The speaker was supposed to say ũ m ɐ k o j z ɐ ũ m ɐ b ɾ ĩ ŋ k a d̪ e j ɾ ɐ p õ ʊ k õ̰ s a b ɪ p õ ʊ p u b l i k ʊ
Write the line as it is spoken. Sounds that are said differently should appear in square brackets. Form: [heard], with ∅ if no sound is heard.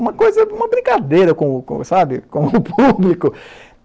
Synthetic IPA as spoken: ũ m ɐ k o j z ɐ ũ m ɐ b ɾ ĩ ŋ k a d̪ e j ɾ ɐ [k] õ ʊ k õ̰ s a b ɪ [k] õ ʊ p u b l i k ʊ